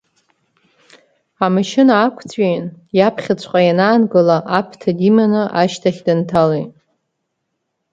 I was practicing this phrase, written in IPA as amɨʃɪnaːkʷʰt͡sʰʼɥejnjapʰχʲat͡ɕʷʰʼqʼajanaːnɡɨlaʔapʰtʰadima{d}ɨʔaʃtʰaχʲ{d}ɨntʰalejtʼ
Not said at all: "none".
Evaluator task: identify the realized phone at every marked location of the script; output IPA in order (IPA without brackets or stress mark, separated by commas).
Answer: n, d